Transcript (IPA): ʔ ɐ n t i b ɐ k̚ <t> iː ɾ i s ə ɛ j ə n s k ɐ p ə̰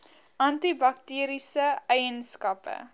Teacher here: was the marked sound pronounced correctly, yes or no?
yes